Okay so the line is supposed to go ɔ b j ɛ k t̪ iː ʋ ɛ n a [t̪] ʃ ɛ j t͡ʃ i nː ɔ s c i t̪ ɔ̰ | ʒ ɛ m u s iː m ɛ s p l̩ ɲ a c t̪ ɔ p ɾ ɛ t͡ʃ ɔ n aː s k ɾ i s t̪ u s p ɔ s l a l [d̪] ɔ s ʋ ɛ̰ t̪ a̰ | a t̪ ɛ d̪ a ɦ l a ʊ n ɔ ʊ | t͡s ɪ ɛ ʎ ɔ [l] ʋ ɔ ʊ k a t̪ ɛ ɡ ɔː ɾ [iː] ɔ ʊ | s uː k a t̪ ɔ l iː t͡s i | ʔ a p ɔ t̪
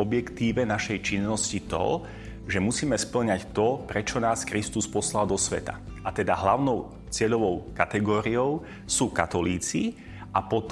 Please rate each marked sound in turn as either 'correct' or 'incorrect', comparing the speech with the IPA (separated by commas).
incorrect, correct, incorrect, incorrect